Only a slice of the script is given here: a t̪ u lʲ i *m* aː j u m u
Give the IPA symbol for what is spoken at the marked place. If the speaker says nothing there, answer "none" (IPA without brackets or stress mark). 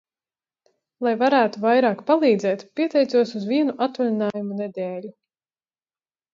n